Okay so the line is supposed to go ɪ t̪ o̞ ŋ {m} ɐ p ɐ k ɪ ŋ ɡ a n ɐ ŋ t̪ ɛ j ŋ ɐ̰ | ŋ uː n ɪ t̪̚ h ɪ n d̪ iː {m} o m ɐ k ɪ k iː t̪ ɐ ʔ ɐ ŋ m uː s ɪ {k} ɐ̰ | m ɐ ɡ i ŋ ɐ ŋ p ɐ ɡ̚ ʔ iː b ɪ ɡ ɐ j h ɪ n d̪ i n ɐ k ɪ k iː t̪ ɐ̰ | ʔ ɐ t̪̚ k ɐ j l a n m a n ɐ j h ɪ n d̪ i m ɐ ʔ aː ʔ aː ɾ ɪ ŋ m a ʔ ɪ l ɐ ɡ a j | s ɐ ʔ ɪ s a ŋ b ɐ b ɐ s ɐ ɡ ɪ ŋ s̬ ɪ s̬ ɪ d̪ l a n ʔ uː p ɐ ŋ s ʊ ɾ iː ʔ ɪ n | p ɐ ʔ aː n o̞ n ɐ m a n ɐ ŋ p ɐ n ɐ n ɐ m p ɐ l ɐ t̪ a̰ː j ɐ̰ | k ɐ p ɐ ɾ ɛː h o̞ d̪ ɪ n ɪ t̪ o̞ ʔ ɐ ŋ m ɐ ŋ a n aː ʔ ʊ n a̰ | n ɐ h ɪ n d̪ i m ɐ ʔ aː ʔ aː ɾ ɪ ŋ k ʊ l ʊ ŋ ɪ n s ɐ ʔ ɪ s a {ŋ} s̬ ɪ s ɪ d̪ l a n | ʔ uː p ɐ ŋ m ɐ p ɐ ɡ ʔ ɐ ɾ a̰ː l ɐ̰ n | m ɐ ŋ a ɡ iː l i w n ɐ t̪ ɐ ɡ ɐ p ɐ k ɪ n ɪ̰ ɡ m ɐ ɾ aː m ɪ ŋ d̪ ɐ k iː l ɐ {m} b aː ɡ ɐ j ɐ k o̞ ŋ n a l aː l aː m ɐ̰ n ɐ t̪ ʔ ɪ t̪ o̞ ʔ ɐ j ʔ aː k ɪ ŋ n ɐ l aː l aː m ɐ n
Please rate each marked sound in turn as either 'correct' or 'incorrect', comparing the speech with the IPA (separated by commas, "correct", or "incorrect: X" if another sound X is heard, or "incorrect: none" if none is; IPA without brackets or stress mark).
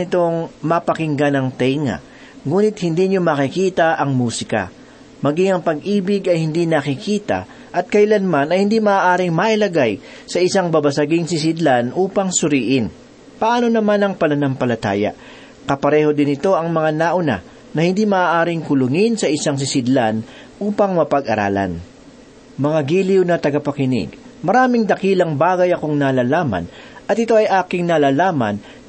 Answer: correct, incorrect: ɲ, correct, correct, incorrect: ŋ